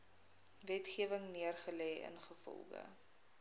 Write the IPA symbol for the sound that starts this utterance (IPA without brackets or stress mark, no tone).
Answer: v